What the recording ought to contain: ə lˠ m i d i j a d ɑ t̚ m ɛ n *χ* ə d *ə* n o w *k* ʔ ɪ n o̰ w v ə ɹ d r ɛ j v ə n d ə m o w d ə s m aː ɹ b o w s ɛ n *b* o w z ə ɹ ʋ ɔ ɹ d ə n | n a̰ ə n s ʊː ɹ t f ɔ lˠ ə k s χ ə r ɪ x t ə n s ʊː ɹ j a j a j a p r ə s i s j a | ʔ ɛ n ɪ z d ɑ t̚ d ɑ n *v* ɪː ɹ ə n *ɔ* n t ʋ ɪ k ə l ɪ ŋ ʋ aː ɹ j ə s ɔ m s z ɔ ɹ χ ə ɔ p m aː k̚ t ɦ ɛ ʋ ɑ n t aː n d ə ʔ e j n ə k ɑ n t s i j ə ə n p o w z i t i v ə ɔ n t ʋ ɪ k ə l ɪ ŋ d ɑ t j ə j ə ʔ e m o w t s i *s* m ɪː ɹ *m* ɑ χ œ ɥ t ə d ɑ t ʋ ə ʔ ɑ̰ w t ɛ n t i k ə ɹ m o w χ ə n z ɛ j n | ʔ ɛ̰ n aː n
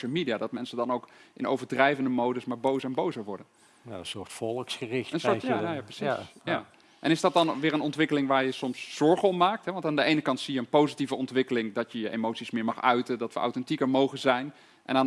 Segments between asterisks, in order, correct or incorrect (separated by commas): incorrect, incorrect, correct, correct, incorrect, correct, correct, correct